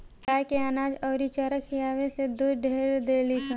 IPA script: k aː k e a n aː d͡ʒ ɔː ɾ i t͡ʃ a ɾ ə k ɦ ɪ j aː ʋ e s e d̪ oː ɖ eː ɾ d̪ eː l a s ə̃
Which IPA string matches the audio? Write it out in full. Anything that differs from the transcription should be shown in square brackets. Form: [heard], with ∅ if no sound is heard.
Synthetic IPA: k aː k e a n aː d͡ʒ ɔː ɾ i t͡ʃ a ɾ ə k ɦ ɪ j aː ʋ e s e d̪ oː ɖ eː ɾ d̪ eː l [i] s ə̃